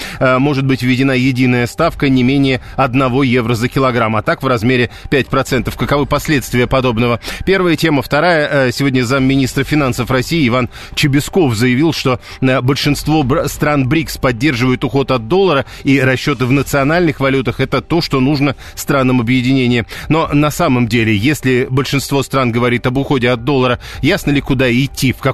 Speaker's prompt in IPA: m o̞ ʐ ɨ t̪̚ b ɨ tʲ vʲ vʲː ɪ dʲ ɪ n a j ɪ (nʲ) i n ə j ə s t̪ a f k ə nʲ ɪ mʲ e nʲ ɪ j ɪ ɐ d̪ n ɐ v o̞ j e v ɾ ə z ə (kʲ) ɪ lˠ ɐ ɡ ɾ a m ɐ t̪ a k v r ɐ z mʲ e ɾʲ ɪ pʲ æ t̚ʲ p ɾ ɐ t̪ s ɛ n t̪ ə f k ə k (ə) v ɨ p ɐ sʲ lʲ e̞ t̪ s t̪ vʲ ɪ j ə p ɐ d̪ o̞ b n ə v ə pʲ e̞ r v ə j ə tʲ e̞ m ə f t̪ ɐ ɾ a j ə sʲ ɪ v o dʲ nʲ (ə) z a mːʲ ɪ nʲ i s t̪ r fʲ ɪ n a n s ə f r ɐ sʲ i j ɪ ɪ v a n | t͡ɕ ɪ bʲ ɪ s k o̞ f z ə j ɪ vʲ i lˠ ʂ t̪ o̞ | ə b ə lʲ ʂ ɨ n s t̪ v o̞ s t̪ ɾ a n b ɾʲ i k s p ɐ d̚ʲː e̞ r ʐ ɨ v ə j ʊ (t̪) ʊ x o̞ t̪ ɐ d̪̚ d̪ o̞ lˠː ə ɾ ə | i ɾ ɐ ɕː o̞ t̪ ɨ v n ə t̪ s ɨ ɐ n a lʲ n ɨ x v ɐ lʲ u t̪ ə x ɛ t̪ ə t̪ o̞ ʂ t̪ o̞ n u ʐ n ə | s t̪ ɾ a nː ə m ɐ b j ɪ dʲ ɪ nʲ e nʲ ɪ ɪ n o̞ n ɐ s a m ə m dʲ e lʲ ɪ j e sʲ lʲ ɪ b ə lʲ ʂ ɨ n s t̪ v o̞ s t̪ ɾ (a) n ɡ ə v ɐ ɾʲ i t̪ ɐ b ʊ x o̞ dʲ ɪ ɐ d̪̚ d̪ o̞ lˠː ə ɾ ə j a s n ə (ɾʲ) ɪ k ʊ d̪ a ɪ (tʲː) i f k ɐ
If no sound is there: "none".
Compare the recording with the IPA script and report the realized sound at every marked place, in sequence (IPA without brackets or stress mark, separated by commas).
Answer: dʲ, kʲ, ɐ, ə, t̪, a, lʲ, tʲː